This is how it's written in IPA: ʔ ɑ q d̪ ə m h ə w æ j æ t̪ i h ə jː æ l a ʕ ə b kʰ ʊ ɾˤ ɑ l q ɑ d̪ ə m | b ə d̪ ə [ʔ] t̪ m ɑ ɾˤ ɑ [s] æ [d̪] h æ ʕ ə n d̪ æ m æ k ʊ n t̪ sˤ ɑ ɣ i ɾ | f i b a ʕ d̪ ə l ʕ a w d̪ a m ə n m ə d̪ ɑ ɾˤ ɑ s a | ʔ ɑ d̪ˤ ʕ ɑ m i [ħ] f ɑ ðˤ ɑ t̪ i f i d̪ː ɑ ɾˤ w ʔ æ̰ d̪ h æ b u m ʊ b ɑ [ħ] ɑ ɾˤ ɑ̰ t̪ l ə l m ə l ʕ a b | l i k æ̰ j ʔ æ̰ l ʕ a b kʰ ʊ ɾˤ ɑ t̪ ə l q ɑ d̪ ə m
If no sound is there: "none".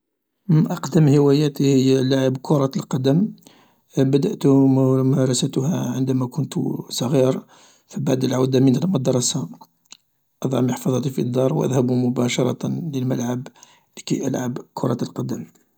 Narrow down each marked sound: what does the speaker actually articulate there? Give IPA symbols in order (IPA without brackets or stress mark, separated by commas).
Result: ʔ, s, t̪, ħ, ʃ